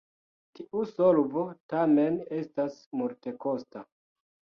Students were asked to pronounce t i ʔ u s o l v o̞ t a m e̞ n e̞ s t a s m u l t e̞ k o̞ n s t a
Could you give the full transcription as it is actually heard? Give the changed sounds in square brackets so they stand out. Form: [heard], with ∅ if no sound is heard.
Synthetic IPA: t i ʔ u s o l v o̞ t a m e̞ n e̞ s t a s m u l t e̞ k o̞ [∅] s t a